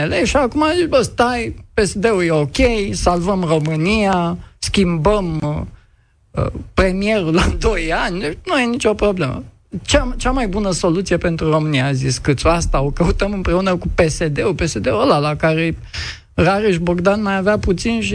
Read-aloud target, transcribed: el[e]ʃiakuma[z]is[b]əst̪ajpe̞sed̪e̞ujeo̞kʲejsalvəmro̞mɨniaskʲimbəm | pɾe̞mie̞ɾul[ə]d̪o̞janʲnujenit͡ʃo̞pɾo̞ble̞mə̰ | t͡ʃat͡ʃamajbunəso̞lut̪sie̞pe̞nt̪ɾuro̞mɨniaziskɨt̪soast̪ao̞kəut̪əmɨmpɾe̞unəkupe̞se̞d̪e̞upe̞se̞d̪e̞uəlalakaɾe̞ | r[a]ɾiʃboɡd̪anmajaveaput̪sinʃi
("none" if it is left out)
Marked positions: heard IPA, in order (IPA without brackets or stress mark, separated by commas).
e, z, b, a, a